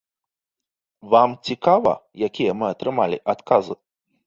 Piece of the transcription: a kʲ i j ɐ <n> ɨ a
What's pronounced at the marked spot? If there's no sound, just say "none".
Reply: m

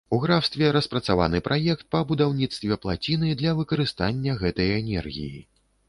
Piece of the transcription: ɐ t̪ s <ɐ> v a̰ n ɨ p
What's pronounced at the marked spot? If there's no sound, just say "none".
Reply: a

